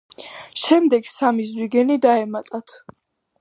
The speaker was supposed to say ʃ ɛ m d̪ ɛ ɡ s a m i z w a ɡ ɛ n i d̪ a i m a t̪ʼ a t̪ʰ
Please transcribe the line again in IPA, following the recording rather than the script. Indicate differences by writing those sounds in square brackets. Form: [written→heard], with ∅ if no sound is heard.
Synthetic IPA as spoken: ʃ ɛ m d̪ ɛ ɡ s a m i z w [a→i] ɡ ɛ n i d̪ a [i→ɛ] m a t̪ʼ a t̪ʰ